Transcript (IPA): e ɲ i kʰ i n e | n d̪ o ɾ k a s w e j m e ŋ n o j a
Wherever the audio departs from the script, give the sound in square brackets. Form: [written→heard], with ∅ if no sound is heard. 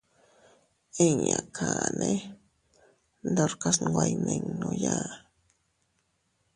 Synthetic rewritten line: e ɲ [i→a] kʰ [i→a] n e | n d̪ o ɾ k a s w [e→a] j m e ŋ n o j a